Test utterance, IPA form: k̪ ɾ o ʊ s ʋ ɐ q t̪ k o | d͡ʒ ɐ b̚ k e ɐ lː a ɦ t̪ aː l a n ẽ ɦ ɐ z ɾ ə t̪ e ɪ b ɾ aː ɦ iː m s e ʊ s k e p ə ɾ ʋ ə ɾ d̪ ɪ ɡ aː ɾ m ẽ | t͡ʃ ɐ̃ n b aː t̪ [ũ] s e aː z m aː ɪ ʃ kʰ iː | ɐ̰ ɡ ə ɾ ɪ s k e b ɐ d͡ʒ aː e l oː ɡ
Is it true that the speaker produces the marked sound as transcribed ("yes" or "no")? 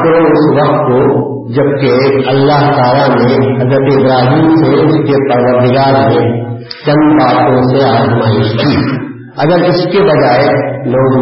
no